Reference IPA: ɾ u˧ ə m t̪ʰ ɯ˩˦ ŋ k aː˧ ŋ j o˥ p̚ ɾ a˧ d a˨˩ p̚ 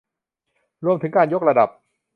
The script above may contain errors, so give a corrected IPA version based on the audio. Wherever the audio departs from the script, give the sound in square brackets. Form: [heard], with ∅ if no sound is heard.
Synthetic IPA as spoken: ɾ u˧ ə m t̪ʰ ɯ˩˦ ŋ k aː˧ [n] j o˥ [k̚] ɾ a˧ d a˨˩ p̚